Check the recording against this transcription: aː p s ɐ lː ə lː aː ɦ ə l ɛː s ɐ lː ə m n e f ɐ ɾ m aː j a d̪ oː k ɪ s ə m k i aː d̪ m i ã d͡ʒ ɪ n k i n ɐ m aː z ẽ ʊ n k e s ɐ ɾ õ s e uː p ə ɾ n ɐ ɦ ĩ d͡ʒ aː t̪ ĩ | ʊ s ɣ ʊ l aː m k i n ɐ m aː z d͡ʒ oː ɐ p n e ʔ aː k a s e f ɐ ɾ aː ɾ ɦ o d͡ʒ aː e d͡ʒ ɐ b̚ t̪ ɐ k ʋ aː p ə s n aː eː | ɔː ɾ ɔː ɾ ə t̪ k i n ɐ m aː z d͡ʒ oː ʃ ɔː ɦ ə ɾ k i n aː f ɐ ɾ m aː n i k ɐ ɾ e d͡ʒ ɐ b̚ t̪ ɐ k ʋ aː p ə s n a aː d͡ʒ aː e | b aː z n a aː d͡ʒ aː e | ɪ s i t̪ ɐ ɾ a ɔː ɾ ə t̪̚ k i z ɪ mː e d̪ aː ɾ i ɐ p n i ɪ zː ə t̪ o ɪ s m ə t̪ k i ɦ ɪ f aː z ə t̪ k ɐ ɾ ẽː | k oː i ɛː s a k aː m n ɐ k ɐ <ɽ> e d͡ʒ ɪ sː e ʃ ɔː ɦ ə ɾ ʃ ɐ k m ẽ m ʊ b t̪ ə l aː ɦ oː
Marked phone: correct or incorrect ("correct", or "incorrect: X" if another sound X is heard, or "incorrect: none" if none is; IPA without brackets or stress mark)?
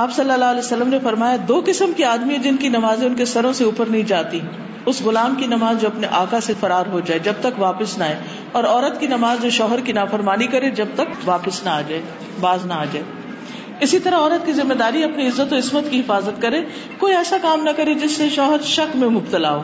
incorrect: ɾ